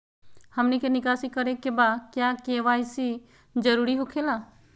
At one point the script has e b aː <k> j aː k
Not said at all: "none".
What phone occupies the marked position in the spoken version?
k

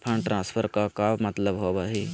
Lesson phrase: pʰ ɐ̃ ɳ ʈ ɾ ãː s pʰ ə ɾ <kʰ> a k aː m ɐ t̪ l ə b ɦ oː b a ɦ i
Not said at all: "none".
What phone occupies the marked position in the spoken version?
k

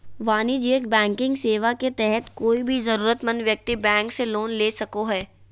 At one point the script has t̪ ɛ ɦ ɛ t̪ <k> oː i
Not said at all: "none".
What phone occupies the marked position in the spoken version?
k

